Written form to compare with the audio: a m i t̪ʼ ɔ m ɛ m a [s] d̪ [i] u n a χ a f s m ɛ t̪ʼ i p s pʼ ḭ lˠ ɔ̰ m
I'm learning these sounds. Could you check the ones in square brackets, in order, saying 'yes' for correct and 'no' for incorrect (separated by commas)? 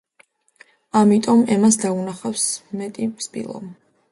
yes, no